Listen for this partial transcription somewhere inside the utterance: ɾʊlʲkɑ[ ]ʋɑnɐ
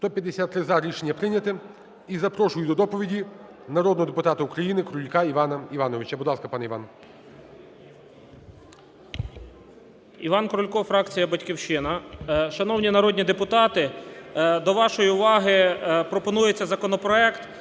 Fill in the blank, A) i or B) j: A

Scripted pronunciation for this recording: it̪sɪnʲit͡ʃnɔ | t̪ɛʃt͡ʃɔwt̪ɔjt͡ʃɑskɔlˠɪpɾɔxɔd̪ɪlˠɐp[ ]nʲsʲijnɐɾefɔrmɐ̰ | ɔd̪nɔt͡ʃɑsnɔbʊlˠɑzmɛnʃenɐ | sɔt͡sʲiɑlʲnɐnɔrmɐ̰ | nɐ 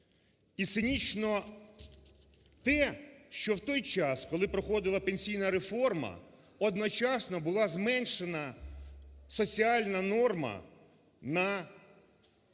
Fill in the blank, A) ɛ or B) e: B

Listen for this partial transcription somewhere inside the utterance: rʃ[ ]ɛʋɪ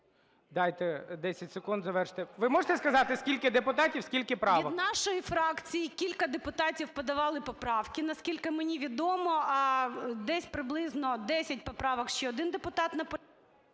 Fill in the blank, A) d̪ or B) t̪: B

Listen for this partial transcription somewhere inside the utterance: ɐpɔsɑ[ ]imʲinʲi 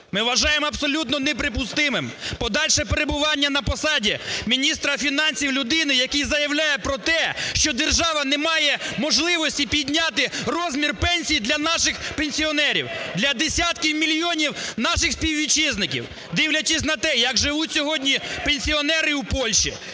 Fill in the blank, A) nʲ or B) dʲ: B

